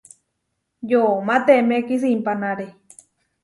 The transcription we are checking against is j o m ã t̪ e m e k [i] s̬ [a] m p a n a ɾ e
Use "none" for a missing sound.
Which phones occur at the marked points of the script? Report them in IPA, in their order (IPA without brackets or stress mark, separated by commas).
i, i